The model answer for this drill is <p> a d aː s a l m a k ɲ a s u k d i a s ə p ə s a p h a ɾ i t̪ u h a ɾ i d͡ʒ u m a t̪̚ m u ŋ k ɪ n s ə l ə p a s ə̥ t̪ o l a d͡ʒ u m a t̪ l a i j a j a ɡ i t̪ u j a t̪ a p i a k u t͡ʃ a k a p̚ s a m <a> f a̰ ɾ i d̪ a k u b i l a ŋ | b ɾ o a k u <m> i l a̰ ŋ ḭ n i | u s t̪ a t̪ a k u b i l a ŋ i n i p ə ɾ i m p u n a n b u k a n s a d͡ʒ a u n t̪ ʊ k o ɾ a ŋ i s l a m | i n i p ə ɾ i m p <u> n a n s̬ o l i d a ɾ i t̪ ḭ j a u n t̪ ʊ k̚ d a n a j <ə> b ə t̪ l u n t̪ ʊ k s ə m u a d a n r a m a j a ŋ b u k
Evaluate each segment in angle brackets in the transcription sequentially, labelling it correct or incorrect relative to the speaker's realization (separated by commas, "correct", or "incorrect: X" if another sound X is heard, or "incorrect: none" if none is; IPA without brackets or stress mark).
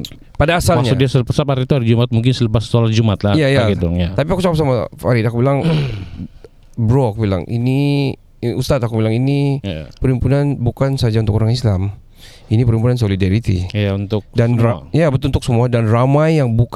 correct, correct, incorrect: b, correct, incorrect: a